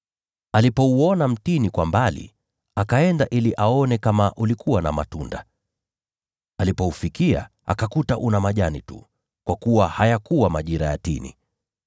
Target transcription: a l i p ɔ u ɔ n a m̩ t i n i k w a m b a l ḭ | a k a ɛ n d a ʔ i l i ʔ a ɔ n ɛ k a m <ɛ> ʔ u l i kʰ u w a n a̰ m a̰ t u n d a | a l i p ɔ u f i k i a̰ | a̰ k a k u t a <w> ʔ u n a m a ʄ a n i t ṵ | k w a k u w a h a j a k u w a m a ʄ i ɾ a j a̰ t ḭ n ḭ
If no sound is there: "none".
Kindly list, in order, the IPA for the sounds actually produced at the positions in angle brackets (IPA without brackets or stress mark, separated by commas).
a, none